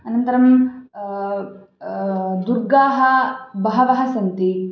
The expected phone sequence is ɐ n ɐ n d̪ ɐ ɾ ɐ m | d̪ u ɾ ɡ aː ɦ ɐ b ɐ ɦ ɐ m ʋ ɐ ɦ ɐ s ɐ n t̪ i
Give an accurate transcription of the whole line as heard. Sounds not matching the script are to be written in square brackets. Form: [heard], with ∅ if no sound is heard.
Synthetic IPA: ɐ n ɐ n [t̪] ɐ ɾ ɐ m | d̪ u ɾ ɡ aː ɦ ɐ b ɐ ɦ ɐ [∅] ʋ ɐ ɦ ɐ s ɐ n t̪ i